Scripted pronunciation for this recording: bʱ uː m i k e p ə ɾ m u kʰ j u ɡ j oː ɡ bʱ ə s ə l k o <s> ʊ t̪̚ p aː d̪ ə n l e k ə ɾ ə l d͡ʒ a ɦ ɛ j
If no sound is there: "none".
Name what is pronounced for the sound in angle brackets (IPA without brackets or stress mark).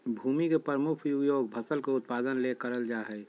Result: none